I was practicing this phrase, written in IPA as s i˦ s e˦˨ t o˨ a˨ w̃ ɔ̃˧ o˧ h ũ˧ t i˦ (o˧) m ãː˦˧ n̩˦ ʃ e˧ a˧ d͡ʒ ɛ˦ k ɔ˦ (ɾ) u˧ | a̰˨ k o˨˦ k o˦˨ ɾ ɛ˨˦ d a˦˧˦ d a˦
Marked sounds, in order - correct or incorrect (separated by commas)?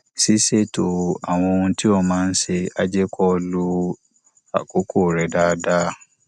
incorrect, incorrect